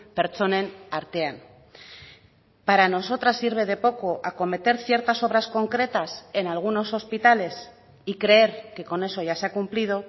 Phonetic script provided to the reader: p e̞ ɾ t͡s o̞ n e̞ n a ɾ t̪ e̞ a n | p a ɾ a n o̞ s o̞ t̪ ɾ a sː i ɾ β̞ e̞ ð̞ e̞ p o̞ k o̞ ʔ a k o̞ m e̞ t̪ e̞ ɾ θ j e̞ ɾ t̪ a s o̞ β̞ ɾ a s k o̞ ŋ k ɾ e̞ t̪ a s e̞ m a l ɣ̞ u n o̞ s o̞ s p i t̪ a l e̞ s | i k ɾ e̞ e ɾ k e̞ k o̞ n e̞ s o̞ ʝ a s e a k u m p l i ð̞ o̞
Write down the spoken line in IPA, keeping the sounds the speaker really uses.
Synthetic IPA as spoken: p e̞ ɾ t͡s o̞ n e̞ n a ɾ t̪ e̞ a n | p a ɾ a n o̞ s o̞ t̪ ɾ a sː i ɾ β̞ e̞ ð̞ e̞ p o̞ k o̞ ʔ a k o̞ m e̞ t̪ e̞ ɾ θ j e̞ ɾ t̪ a s o̞ β̞ ɾ a s k o̞ ŋ k ɾ e̞ t̪ a s e̞ n a l ɣ̞ u n o̞ s o̞ s p i t̪ a l e̞ s | i k ɾ e̞ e ɾ k e̞ k o̞ n e̞ s o̞ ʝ a s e a k u m p l i ð̞ o̞